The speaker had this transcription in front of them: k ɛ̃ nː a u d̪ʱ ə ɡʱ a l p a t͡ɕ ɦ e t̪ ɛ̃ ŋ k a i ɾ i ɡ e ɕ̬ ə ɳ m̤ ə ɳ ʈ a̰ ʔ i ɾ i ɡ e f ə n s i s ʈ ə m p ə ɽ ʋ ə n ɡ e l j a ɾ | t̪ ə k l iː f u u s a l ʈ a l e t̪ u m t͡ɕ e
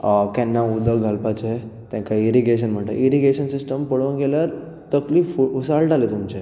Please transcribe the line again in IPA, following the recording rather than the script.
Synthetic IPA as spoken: k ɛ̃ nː a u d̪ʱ ə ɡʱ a l p a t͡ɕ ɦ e t̪ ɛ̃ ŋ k a i ɾ i ɡ e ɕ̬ ə n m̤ ə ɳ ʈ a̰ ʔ i ɾ i ɡ e ɕ ə n s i s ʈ ə m p ə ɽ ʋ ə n ɡ e l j a ɾ | t̪ ə k l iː f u u s a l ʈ a l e t̪ u m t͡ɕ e